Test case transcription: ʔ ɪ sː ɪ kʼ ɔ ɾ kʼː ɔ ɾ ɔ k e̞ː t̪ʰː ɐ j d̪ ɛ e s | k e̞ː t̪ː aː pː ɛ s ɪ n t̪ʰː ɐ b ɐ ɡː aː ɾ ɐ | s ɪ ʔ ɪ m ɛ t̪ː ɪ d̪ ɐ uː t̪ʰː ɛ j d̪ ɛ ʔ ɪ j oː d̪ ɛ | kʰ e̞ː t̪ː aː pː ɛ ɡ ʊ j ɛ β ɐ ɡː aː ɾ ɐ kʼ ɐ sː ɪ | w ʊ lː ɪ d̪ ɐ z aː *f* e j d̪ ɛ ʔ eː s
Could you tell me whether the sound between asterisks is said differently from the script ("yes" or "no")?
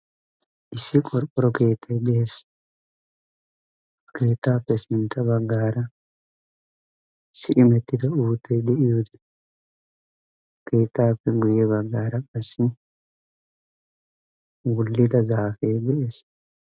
no